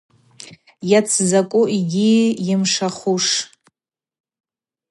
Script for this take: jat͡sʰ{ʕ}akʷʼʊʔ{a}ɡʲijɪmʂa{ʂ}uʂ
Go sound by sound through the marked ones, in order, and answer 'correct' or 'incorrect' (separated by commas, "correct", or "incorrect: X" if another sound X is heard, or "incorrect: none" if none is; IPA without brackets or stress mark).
incorrect: z, incorrect: i, incorrect: χ